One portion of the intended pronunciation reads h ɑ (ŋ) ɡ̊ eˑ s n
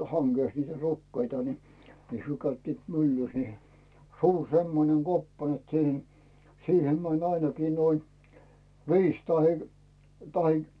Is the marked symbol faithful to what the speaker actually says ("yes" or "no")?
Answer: yes